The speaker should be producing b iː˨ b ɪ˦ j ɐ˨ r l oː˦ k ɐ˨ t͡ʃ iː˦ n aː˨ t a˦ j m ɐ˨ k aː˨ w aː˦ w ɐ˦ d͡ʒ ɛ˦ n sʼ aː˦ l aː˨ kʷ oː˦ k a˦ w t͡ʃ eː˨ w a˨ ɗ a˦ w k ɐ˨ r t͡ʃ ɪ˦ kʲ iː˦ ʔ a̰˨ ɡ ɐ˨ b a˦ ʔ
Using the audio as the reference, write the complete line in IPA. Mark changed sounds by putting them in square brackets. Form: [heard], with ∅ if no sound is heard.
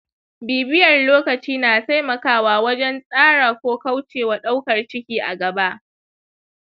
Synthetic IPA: b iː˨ b ɪ˦ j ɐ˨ r l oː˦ k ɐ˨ t͡ʃ iː˦ n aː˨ t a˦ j m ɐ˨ k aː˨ w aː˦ w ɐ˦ d͡ʒ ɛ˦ n sʼ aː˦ [ɽ] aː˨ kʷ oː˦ k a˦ w t͡ʃ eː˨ w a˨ ɗ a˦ w k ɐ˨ r t͡ʃ ɪ˦ kʲ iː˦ ʔ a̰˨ ɡ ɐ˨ b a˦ ʔ